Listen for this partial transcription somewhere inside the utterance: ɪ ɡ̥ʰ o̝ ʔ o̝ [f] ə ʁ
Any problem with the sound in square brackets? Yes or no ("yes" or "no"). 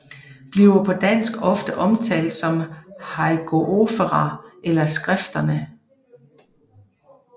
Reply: no